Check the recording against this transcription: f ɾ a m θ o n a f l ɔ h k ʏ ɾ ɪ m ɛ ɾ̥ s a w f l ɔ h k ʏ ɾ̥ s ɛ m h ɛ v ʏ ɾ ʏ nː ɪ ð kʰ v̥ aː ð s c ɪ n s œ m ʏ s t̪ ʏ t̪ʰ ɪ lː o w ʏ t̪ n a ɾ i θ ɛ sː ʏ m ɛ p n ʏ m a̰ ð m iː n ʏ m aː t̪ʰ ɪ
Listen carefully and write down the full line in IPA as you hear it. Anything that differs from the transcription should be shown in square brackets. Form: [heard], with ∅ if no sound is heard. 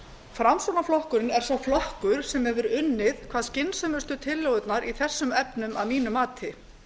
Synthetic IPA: f ɾ a m [s] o n a f l ɔ h k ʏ ɾ ɪ [n] ɛ ɾ̥ s a w f l ɔ h k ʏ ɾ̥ s ɛ m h ɛ v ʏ ɾ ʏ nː ɪ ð kʰ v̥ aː ð s c ɪ n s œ m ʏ s t̪ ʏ t̪ʰ ɪ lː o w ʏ t̪ n a ɾ i θ ɛ sː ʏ m ɛ p n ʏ m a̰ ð m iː n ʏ m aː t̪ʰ ɪ